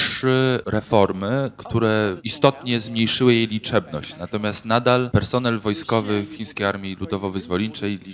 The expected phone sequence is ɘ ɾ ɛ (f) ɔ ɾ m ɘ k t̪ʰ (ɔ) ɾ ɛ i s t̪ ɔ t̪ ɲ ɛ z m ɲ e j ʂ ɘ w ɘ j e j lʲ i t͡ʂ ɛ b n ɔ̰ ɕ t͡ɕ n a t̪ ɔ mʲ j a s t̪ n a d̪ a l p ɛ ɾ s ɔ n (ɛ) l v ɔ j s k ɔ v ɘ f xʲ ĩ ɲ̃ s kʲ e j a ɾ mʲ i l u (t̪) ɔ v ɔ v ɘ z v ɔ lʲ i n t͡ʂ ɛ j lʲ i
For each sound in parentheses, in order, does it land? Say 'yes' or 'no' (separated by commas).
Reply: yes, no, yes, no